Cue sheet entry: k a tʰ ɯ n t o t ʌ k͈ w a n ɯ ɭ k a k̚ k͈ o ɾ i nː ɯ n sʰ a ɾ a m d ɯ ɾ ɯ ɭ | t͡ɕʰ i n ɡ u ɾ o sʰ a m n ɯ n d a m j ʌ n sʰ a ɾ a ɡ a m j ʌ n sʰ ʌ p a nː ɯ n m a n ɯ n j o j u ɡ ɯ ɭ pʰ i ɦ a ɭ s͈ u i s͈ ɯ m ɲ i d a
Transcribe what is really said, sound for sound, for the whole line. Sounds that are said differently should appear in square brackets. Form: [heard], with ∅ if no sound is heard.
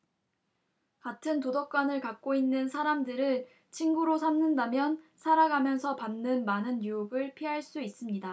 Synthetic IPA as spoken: k a tʰ ɯ n t o [d] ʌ k͈ w a n ɯ ɭ k a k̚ k͈ o [∅] i nː ɯ n sʰ a ɾ a m d ɯ ɾ ɯ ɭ | t͡ɕʰ i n ɡ u ɾ o sʰ a m n ɯ n d a m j ʌ n sʰ a ɾ a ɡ a m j ʌ n sʰ ʌ p a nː ɯ n m a n ɯ n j [u] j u ɡ ɯ ɭ pʰ i ɦ a ɭ s͈ u i s͈ ɯ m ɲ i d a